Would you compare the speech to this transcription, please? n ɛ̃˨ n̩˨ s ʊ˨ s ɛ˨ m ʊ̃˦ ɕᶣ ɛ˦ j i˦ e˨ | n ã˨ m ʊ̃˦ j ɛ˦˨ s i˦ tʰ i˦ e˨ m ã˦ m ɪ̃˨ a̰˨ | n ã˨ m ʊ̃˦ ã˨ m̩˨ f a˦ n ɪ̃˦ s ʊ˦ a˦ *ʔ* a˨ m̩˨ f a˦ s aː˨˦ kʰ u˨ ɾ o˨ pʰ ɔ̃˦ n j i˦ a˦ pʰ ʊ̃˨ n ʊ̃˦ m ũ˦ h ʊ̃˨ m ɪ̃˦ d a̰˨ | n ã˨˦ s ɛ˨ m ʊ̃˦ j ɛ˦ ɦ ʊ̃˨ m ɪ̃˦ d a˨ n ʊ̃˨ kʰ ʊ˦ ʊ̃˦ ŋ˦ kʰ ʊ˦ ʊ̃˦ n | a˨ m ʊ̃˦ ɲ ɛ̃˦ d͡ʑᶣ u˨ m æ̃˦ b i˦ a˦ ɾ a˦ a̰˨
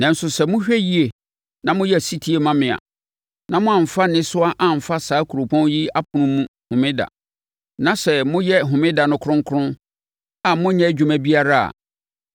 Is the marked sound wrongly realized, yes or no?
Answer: no